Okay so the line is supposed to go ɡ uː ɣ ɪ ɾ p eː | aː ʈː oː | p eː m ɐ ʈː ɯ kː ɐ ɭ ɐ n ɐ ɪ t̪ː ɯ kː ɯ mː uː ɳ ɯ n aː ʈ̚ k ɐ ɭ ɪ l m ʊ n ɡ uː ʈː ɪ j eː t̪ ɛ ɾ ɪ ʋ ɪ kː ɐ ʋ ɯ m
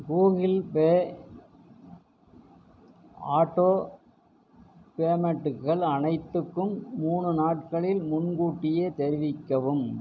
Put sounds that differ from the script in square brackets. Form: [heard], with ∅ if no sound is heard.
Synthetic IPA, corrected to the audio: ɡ uː ɣ ɪ [l] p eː | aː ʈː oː | p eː m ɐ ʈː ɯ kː ɐ ɭ ɐ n ɐ ɪ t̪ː ɯ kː ɯ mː uː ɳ ɯ n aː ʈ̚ k ɐ ɭ ɪ l m ʊ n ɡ uː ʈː ɪ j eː t̪ ɛ ɾ ɪ ʋ ɪ kː ɐ ʋ ɯ m